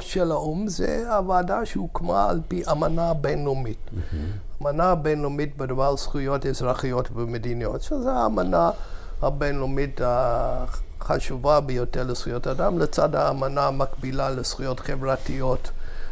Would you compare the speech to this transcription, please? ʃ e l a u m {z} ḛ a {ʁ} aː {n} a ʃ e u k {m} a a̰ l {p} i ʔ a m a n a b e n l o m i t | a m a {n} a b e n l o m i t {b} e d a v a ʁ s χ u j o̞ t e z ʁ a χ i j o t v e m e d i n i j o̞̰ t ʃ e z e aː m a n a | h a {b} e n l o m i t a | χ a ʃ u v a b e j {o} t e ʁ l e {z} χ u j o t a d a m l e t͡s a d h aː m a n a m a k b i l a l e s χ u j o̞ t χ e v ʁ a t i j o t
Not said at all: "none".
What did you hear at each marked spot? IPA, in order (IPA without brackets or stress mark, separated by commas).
z, v, d, m, p, n, b, b, o, s